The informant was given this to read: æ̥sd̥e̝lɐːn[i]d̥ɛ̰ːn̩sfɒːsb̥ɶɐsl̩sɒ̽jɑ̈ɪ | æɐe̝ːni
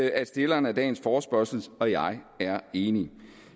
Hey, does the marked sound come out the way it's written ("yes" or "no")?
no